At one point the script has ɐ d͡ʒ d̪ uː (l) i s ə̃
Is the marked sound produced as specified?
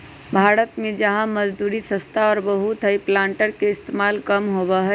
no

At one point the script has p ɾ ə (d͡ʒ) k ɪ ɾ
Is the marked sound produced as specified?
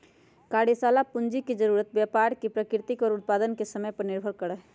no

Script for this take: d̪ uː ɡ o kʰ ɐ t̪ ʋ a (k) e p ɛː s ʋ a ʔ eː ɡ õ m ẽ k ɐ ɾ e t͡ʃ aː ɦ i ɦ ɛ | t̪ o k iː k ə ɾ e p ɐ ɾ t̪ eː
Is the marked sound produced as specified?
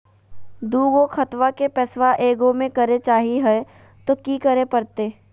yes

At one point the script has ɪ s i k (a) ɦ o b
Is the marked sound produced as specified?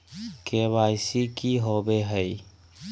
no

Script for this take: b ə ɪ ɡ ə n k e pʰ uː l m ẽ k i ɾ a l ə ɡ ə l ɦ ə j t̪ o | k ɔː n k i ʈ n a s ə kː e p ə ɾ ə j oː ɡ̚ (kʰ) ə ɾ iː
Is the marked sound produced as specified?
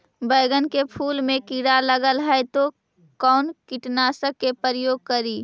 no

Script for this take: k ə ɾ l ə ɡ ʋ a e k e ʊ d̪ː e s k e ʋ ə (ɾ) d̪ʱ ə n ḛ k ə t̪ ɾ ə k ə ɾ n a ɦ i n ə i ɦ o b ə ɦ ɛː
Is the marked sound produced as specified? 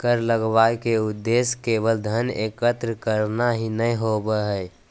no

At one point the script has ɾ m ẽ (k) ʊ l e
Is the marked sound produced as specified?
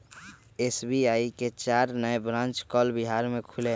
no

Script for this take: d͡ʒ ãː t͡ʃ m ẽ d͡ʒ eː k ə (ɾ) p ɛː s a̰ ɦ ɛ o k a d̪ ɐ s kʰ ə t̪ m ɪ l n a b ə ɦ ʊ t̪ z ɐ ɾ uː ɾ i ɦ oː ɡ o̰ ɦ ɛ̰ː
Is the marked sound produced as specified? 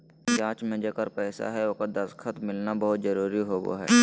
yes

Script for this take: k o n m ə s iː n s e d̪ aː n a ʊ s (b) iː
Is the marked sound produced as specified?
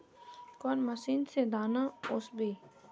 yes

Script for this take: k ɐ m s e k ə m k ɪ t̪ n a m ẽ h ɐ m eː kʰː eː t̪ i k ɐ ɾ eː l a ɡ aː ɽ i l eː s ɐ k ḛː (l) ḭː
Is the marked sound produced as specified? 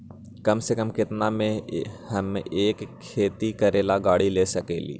yes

